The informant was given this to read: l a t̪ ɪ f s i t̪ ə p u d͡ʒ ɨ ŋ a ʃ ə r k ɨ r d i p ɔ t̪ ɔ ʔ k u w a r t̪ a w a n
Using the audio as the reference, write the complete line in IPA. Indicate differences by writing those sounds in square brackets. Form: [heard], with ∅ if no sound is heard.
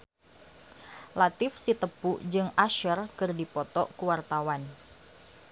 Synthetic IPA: l a t̪ ɪ f s i t̪ ə p u d͡ʒ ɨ ŋ a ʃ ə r k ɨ r d i p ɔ t̪ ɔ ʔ k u w a r t̪ a w a n